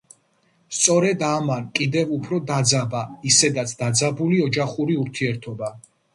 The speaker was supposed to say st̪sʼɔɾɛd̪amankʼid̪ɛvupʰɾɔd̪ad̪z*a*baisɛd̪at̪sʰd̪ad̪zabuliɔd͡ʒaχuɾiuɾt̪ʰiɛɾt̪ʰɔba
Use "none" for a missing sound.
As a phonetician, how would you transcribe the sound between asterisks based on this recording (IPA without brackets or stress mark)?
a